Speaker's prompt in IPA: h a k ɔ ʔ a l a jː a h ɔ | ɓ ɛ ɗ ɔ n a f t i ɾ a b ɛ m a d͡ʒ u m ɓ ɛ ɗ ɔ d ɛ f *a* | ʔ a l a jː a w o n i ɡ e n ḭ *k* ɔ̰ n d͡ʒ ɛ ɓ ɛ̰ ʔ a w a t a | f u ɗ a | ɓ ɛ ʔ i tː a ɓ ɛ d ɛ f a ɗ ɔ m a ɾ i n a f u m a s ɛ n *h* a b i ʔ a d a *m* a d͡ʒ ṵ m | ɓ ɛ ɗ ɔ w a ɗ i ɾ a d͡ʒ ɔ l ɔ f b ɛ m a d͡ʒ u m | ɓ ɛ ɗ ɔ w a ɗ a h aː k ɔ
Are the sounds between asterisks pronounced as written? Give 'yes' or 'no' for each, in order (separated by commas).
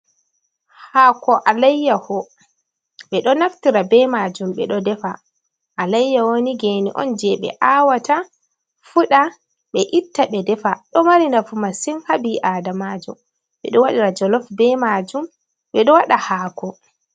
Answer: yes, no, yes, yes